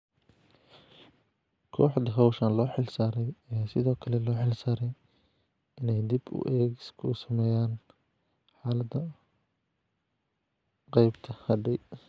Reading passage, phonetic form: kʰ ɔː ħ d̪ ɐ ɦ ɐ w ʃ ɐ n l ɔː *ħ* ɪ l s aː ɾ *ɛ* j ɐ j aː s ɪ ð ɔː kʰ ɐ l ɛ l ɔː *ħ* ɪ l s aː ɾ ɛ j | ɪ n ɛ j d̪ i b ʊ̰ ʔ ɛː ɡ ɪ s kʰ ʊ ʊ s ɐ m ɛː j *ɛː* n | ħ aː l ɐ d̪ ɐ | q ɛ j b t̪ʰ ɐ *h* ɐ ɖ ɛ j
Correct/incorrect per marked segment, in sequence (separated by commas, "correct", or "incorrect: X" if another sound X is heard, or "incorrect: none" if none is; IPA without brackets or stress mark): correct, correct, correct, incorrect: aː, correct